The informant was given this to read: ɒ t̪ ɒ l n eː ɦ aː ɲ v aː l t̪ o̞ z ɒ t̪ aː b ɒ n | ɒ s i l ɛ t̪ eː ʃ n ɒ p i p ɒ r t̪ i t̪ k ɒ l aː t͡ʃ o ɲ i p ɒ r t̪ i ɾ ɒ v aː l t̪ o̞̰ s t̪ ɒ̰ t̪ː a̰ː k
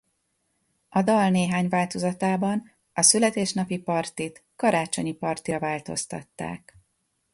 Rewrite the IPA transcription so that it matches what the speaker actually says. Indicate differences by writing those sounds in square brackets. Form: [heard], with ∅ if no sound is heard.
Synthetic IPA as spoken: ɒ [d̪] ɒ l n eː ɦ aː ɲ v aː l t̪ o̞ z ɒ t̪ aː b ɒ n | ɒ s [y] l ɛ t̪ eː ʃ n ɒ p i p ɒ r t̪ i t̪ k ɒ [ɾ] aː t͡ʃ o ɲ i p ɒ r t̪ i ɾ ɒ v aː l t̪ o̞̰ s t̪ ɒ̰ t̪ː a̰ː k